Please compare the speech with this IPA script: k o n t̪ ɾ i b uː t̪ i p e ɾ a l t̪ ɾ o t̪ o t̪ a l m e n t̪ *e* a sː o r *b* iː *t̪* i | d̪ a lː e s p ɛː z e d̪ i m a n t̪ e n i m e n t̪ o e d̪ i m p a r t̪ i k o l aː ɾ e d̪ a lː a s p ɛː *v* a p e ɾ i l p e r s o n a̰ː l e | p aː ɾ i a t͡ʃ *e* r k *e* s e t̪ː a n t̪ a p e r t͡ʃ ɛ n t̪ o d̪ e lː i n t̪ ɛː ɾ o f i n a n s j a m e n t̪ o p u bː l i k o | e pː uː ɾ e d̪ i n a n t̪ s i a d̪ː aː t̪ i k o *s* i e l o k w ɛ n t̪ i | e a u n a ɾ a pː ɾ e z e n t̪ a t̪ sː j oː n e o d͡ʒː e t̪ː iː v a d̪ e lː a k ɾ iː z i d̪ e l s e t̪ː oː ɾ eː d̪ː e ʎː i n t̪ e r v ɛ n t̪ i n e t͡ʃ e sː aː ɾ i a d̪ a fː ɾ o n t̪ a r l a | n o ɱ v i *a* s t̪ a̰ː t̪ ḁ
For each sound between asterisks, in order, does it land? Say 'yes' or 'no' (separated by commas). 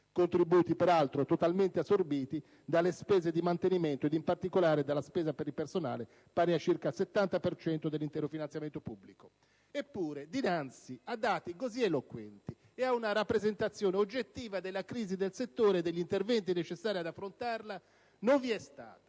yes, yes, yes, no, no, no, no, no